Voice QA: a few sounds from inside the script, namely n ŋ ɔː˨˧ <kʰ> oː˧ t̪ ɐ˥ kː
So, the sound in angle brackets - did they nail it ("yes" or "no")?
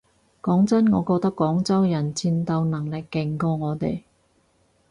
no